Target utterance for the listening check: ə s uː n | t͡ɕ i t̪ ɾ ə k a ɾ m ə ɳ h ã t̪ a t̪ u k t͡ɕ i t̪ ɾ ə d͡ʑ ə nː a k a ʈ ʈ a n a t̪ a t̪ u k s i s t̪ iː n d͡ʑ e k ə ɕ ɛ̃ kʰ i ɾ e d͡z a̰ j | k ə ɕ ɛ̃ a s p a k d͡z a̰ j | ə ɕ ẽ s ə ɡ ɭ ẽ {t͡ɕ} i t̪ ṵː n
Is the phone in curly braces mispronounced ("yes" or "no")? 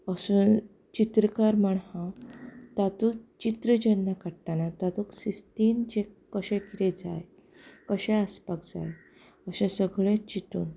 no